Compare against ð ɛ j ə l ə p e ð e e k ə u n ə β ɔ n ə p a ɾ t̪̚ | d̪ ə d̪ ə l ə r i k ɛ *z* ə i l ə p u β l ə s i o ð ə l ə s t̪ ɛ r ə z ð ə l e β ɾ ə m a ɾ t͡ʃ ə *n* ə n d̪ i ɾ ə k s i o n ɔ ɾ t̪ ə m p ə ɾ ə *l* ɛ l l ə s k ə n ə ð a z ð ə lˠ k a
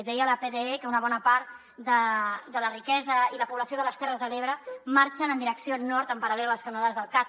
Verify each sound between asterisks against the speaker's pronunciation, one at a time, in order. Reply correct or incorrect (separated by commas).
correct, correct, correct